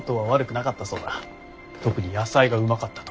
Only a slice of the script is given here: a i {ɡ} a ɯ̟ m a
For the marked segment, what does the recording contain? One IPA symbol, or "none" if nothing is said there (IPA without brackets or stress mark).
ɡ